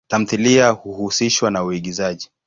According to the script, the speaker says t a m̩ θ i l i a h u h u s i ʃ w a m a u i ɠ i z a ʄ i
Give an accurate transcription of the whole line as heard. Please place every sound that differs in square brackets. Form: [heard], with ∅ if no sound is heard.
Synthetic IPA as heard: t a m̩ θ i l i a h u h u s i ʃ w a [n] a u i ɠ i z a ʄ i